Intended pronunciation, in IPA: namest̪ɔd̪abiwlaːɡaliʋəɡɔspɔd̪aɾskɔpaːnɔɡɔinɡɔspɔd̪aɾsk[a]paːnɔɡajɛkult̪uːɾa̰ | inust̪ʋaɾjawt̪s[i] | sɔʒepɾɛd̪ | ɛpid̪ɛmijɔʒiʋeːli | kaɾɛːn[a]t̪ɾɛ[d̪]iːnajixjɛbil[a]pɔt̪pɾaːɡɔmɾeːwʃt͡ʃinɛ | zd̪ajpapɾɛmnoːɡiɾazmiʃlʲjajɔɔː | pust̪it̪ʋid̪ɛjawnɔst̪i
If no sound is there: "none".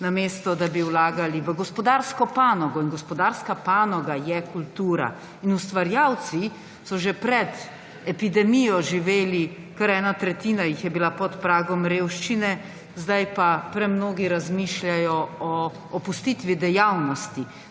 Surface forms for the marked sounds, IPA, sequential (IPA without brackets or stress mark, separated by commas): a, i, a, t̪, a